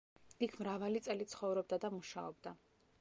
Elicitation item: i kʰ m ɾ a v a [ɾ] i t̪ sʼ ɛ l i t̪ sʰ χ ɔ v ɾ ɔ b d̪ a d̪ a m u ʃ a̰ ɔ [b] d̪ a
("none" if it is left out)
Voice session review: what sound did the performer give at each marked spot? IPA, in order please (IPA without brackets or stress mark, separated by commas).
l, b